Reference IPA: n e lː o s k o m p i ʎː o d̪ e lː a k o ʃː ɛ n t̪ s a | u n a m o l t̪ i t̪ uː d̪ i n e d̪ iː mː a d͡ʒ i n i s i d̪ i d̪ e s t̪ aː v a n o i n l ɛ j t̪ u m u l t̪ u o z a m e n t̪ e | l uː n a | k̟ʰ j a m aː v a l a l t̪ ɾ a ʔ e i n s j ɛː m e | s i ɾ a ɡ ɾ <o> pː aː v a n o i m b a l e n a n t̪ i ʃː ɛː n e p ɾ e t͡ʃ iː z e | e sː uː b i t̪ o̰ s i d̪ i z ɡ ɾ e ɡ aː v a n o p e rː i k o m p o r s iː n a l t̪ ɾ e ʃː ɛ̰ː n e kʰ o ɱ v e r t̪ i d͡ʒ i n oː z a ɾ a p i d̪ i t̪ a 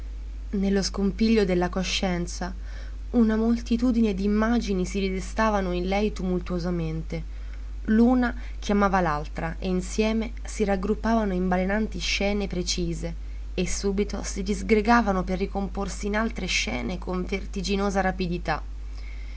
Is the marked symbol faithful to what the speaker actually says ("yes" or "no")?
no